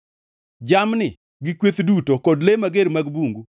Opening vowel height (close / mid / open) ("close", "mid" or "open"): open